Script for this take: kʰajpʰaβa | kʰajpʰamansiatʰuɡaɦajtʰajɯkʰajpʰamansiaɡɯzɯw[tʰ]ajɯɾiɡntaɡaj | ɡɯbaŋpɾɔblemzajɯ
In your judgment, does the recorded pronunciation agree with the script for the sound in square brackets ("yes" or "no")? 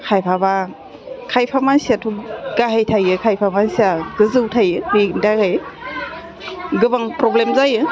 yes